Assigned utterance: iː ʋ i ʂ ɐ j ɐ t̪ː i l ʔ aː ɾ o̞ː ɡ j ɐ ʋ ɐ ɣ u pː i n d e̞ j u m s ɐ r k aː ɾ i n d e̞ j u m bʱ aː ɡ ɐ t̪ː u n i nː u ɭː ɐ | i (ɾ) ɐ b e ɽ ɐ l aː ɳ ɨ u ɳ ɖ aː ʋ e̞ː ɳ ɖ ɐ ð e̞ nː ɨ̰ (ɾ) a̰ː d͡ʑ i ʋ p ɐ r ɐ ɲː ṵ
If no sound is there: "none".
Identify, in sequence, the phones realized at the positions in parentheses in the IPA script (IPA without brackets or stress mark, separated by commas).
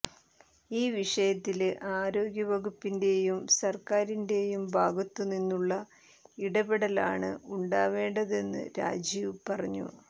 ɽ, ɾ